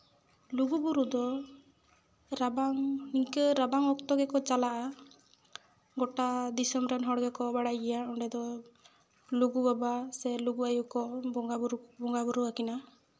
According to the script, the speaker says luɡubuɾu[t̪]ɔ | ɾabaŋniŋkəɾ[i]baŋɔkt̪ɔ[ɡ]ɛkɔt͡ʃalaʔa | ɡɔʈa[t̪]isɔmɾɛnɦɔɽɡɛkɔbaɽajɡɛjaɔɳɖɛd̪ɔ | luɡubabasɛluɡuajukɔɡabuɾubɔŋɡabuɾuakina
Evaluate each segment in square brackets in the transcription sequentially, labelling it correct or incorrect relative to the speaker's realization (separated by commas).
incorrect, incorrect, correct, incorrect